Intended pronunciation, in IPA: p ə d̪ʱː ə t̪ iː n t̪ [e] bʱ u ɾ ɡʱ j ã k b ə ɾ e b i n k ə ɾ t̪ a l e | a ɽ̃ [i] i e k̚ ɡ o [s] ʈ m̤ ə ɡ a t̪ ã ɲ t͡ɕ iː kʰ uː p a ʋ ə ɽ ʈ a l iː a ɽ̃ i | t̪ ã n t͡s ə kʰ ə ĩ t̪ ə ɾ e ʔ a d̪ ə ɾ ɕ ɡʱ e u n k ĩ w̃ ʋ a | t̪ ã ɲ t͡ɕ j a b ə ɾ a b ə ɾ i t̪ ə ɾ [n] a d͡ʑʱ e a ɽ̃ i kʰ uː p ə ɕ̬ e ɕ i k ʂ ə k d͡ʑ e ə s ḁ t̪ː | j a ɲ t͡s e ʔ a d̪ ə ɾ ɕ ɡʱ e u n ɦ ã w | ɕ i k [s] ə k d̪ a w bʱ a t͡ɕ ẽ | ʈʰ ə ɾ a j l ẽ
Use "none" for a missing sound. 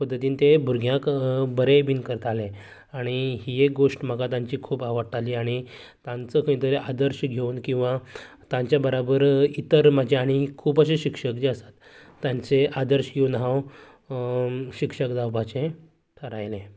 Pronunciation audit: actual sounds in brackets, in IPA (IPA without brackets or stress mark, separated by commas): e, i, ʂ, m, ʂ